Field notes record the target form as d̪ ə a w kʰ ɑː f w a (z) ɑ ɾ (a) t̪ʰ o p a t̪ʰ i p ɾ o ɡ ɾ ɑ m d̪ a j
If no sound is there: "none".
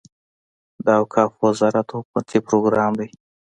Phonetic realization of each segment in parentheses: z, a

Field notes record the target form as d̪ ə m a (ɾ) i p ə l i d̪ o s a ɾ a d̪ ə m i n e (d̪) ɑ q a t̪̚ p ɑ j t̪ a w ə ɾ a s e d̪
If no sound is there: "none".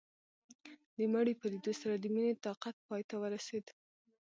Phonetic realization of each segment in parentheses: ɽ, t̪

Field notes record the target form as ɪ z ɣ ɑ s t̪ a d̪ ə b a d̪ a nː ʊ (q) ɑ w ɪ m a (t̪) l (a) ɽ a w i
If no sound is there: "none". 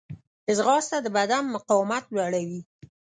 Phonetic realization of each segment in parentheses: q, t̪, a

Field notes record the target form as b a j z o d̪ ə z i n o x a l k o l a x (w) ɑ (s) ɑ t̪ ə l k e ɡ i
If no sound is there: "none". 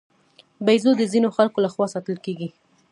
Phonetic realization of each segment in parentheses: w, s

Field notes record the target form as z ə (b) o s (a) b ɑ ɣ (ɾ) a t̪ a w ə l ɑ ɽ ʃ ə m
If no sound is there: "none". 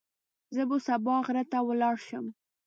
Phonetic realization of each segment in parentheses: b, a, ɾ

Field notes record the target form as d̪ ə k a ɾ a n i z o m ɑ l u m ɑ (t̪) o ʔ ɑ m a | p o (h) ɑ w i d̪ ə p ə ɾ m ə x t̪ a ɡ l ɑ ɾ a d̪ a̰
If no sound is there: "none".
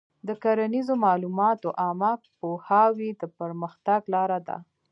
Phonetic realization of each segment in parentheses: t̪, h

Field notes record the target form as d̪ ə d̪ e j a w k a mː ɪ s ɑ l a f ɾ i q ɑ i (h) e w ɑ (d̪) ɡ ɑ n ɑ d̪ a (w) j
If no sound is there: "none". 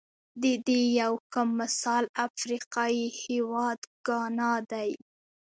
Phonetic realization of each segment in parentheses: h, d̪, none

